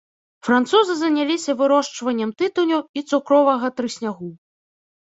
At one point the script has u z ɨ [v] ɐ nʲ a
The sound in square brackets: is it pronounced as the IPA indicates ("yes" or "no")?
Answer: no